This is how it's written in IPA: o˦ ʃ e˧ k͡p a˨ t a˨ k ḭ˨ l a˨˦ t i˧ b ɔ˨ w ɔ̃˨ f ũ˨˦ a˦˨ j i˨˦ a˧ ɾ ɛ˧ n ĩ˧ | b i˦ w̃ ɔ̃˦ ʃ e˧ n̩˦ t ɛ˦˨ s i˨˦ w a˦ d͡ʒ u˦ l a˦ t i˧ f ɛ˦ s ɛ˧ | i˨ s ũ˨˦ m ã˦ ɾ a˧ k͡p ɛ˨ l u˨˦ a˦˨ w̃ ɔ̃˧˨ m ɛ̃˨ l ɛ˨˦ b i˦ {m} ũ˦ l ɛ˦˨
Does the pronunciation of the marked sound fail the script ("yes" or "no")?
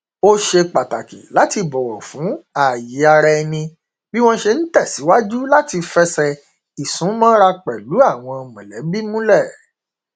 no